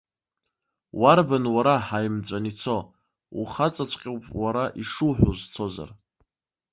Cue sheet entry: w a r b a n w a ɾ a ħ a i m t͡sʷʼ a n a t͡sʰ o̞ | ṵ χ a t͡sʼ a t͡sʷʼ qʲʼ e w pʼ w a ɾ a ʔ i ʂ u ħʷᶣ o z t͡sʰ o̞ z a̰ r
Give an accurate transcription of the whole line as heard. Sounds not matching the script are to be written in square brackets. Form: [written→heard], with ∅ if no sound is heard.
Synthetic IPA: w a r b a n w a ɾ a ħ a [i→j] m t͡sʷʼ a n [a→i] t͡sʰ o̞ | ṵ χ a t͡sʼ a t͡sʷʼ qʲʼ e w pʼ w a ɾ a ʔ i ʂ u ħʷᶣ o z t͡sʰ o̞ z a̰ r